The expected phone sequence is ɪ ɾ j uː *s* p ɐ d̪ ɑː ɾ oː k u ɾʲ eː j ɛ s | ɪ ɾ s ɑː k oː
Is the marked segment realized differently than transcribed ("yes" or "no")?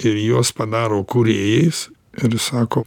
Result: no